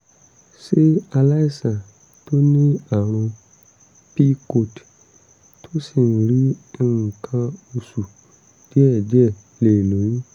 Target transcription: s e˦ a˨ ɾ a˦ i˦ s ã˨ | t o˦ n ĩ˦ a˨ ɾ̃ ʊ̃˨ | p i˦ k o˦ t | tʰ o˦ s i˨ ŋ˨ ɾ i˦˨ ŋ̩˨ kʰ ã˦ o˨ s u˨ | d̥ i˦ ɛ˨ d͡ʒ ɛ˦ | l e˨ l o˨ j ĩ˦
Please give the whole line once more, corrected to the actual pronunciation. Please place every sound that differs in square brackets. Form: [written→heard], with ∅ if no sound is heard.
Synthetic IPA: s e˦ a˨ [ɾ→l] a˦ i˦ s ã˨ | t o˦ n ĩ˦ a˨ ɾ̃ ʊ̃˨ | p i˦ k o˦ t | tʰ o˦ s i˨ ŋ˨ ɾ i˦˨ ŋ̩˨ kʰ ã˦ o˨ s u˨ | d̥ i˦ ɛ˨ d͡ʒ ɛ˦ | l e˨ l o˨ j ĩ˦